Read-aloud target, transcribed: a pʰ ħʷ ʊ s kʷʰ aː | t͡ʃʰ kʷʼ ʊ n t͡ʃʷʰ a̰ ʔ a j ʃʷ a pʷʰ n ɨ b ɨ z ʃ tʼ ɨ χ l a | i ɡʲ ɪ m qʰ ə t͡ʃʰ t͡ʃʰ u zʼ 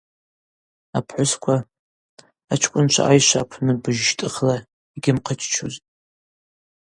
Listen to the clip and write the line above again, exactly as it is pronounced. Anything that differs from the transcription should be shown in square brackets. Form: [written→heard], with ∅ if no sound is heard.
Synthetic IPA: a pʰ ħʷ ʊ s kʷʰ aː | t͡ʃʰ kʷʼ ʊ n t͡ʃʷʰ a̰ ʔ a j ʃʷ a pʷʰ n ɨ b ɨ [z→ʒ] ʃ tʼ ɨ χ l a | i ɡʲ ɪ m qʰ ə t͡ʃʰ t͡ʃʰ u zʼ